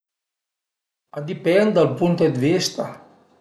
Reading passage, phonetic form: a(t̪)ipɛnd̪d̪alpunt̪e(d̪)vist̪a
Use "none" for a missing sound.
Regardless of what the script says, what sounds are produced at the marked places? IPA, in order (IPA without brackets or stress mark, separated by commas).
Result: d̪, d̪